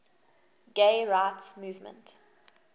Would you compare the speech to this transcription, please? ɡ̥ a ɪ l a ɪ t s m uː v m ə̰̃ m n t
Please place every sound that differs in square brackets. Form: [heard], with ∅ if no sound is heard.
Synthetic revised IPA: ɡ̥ [e] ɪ [ɹ] a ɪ t s m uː v m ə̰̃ [∅] n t